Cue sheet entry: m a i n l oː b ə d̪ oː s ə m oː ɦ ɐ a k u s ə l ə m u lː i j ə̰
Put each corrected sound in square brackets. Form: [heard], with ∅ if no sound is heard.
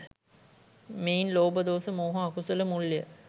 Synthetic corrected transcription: m [e] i n l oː b ə d̪ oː s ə m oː ɦ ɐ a k u s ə l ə m u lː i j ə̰